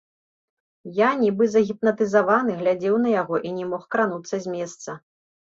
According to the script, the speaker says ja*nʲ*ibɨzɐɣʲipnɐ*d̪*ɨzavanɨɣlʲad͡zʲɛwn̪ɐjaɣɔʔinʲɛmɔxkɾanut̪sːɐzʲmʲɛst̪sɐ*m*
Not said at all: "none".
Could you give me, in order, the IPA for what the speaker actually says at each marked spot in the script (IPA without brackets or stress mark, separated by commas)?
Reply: nʲ, t̪, none